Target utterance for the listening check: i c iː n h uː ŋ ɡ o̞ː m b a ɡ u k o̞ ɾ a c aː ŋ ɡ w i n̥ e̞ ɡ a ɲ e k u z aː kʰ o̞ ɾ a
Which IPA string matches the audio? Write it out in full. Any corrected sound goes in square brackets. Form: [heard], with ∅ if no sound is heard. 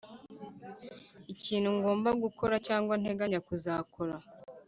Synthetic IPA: i c iː n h [u] ŋ ɡ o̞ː m b a ɡ u k o̞ ɾ a c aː ŋ ɡ w [a] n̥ e̞ ɡ a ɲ [a] k u z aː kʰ o̞ ɾ a